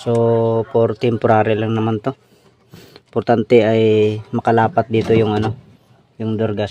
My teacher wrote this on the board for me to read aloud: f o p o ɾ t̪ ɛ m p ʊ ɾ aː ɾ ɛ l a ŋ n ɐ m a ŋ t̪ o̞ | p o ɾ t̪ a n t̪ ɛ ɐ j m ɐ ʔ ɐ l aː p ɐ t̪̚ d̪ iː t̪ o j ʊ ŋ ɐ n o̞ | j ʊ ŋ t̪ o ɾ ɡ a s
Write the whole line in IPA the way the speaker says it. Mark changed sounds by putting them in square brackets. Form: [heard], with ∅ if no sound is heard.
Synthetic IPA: [s] o p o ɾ t̪ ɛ m p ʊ ɾ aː ɾ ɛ l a ŋ n ɐ m a [n] t̪ o̞ | p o ɾ t̪ a n t̪ ɛ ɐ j m ɐ [k] ɐ l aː p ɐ t̪̚ d̪ iː t̪ o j ʊ ŋ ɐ n o̞ | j ʊ ŋ [d̪] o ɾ ɡ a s